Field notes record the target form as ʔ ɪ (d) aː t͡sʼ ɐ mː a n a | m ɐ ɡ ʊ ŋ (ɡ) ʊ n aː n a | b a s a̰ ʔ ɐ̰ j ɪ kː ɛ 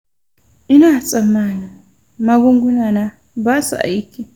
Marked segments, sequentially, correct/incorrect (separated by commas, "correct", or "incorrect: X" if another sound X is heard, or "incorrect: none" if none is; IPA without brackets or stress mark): incorrect: n, correct